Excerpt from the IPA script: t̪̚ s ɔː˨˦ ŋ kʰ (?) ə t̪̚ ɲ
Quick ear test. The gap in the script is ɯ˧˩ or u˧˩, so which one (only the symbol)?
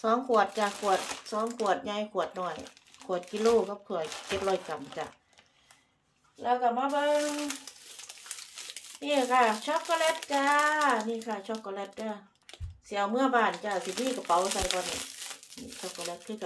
u˧˩